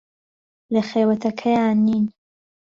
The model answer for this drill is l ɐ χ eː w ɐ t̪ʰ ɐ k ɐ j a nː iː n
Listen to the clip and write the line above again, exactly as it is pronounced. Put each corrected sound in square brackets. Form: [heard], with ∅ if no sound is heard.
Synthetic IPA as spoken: l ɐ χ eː w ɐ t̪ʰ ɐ [kʰ] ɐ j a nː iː n